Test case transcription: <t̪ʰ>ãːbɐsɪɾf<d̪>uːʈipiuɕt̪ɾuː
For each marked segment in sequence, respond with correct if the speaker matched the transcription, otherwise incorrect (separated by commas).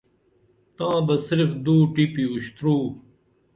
incorrect, correct